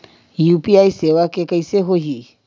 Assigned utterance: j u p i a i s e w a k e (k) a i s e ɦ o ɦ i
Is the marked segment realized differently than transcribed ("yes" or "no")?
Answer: no